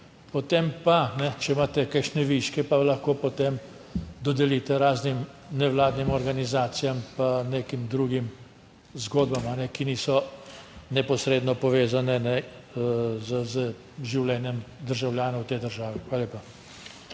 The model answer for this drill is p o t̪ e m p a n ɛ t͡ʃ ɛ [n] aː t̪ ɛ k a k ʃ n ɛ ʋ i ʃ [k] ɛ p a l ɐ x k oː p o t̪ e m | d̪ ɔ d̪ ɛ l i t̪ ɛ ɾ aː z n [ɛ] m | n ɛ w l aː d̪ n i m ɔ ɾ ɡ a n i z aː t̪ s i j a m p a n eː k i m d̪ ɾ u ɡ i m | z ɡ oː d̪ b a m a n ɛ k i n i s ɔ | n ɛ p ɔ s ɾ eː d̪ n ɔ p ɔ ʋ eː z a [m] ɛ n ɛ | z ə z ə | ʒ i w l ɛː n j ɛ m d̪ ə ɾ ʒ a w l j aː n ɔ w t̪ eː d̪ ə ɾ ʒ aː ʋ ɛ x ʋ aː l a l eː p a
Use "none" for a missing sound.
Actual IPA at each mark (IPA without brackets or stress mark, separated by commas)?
m, k, i, n